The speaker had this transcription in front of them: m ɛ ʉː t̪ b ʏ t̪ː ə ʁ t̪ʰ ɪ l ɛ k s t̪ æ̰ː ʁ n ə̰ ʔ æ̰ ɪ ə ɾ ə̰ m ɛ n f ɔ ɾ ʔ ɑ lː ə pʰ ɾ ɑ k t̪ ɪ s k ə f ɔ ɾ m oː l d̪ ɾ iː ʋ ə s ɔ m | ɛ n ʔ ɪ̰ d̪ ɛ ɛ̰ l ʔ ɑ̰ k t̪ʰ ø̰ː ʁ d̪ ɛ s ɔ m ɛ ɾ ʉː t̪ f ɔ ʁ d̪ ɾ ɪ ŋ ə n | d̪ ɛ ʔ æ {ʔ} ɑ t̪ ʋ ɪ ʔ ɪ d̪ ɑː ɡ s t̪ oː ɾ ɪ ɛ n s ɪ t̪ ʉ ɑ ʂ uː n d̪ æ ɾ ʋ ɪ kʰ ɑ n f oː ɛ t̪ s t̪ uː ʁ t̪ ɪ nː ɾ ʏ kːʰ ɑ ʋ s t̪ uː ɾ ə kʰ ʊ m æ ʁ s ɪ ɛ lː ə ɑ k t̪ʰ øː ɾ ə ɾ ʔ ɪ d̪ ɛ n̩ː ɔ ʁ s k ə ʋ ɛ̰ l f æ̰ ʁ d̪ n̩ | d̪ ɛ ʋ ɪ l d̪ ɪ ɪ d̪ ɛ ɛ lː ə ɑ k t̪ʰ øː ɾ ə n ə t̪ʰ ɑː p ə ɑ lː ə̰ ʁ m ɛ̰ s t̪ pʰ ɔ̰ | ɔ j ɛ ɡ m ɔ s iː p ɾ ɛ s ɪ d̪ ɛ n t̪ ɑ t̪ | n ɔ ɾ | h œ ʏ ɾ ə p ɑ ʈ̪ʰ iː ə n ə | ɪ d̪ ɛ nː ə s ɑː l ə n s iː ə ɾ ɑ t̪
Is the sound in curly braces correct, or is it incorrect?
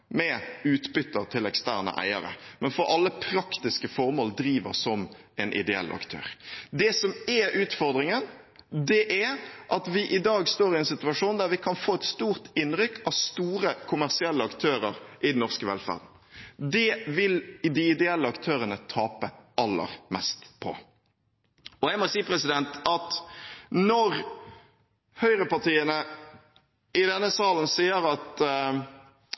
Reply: correct